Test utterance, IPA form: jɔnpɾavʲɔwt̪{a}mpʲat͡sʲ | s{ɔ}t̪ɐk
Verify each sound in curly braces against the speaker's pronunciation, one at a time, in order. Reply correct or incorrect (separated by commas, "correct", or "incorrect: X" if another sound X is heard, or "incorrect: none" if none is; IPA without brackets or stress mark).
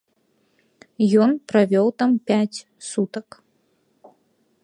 correct, incorrect: u